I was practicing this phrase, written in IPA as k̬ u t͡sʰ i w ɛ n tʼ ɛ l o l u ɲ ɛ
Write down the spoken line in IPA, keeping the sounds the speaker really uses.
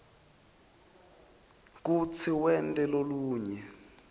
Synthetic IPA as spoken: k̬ u t͡sʰ i w ɛ n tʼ ɛ l o l uː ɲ ɛ

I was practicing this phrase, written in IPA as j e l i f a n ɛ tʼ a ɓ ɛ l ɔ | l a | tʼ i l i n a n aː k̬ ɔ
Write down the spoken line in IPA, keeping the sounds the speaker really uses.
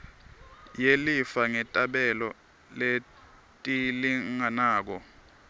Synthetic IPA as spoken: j e l i f a ŋ ɛ tʼ a ɓ ɛ l ɔ | l e | tʼ i l i ŋ a n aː k̬ ɔ

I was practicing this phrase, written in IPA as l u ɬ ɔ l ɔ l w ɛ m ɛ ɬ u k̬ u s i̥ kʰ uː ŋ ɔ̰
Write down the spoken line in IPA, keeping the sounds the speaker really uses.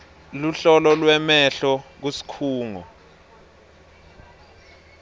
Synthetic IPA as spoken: l u ɬ ɔ l ɔ l w ɛ m ɛ ɬ ɔ k̬ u s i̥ kʰ uː ŋ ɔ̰

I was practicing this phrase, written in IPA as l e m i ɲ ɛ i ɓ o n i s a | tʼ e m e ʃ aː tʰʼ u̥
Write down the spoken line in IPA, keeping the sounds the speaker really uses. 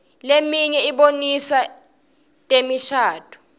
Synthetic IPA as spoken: l e m i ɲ ɛ i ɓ o n i s a | tʼ e m i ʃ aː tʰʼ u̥

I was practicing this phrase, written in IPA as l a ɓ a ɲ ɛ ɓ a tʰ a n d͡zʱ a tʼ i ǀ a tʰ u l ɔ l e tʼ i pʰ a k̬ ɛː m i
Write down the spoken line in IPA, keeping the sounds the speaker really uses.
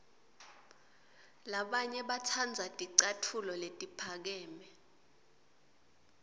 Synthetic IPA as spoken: l a ɓ a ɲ ɛ ɓ a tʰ a n d͡zʱ a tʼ i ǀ a tʰ u l ɔ l e tʼ i pʰ a k̬ ɛː m ɛ

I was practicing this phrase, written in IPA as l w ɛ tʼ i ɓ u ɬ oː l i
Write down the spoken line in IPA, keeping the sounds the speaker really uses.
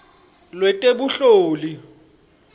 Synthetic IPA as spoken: l w ɛ tʼ e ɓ u ɬ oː l i

